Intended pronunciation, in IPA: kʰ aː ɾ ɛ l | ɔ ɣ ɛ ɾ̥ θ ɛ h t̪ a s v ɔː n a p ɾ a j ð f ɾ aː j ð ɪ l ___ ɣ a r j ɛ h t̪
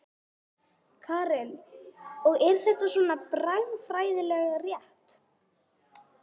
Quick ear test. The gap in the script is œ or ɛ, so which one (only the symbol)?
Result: ɛ